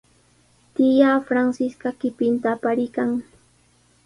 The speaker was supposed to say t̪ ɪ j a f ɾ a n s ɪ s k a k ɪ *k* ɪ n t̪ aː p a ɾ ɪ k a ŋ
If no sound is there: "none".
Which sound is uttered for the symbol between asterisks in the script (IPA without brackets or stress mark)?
p